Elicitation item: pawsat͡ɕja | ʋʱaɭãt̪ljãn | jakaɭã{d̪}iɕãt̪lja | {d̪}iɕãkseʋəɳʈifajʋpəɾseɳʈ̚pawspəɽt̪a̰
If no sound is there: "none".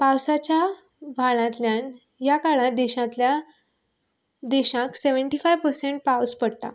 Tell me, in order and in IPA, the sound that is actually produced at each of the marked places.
d̪, d̪

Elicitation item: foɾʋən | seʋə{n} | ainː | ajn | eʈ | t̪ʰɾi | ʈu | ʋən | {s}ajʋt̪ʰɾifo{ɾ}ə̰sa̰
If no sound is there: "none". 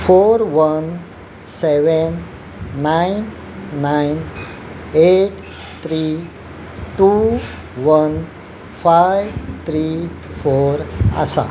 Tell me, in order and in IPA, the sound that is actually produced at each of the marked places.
nː, f, ɾ

